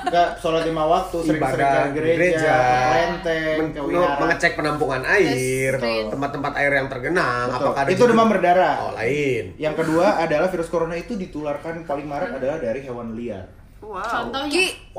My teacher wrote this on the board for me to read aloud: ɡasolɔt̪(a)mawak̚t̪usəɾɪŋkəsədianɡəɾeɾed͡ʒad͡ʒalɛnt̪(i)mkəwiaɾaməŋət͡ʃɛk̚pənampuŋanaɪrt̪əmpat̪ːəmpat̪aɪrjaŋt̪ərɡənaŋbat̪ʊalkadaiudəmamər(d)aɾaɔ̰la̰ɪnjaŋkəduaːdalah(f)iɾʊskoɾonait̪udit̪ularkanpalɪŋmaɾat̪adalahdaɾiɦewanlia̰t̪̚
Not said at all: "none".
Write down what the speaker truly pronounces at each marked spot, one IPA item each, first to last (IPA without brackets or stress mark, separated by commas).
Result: i, ɛ, d, f